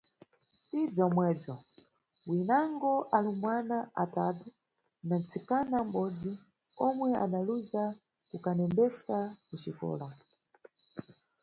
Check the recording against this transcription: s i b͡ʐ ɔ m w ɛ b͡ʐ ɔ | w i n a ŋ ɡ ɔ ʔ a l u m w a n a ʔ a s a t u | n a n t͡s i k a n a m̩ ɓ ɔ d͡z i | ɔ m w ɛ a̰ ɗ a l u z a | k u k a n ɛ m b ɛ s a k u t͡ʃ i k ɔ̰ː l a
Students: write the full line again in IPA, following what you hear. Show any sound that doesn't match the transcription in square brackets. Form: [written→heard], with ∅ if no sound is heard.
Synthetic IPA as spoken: s i b͡ʐ ɔ m w ɛ b͡ʐ ɔ | w i n a ŋ ɡ ɔ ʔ a l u m w a n a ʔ a [s→t] a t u | n a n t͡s i k a n a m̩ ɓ ɔ d͡z i | ɔ m w ɛ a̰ ɗ a l u z a | k u k a n ɛ m b ɛ s a k u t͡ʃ i k ɔ̰ː l a